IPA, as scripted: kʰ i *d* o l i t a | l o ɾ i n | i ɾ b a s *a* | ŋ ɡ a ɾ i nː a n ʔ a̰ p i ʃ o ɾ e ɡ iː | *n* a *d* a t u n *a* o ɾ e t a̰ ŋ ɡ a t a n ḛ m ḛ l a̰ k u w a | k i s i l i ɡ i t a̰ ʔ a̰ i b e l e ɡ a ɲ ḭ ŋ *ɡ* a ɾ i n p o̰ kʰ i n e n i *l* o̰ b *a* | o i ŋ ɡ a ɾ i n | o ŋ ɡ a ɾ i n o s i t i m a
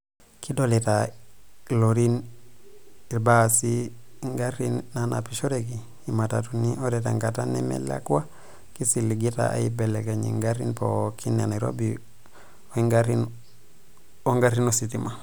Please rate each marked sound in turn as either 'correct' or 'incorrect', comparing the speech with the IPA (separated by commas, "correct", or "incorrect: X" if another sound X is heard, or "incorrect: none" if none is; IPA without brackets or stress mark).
correct, incorrect: i, incorrect: m, incorrect: t, incorrect: i, correct, incorrect: ɾ, incorrect: i